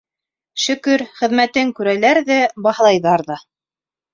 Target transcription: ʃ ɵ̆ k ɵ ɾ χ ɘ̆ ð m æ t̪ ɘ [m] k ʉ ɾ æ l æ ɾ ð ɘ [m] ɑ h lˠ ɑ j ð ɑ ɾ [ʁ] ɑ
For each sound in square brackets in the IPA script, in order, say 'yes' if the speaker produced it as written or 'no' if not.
no, no, no

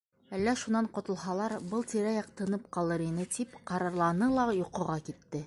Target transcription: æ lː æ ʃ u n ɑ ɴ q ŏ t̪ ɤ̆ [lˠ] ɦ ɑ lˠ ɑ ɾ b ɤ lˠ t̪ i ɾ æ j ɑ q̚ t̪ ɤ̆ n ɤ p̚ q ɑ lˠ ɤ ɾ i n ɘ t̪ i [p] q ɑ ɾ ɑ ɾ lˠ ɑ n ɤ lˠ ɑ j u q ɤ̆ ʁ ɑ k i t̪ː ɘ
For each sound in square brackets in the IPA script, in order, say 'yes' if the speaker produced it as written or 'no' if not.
yes, yes

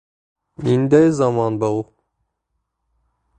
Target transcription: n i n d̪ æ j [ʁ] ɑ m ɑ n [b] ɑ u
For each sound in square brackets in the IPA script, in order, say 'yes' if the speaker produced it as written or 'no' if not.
no, yes

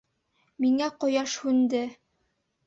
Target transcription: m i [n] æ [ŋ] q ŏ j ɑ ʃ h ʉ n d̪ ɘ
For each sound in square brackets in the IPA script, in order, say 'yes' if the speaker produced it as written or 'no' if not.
no, no

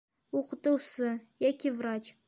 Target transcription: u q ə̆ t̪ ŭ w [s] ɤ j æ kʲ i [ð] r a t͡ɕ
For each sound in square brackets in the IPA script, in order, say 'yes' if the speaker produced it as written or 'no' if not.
yes, no

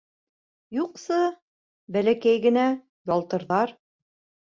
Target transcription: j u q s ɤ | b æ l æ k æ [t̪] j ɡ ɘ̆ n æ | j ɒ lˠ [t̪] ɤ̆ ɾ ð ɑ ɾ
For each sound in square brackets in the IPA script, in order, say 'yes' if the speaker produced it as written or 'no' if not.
no, yes

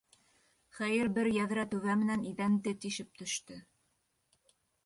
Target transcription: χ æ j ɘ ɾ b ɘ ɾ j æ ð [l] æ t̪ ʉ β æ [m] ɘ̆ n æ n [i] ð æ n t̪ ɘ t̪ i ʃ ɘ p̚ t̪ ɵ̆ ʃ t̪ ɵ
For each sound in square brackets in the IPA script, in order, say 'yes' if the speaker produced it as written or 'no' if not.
no, yes, yes

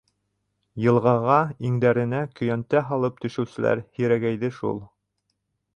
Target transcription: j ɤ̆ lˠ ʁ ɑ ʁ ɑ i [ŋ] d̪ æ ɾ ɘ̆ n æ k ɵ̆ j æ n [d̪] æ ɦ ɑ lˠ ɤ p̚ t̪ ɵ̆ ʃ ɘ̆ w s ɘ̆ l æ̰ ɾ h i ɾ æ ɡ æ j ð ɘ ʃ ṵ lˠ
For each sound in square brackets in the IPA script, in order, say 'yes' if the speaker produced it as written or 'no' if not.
yes, no

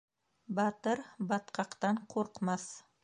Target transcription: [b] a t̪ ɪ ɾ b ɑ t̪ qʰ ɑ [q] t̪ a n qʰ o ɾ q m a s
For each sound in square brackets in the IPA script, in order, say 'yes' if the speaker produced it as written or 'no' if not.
yes, yes

